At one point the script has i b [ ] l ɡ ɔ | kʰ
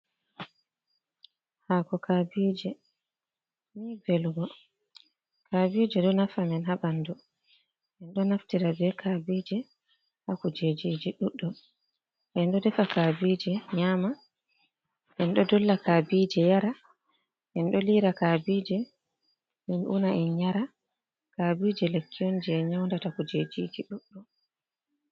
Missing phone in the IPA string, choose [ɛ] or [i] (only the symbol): ɛ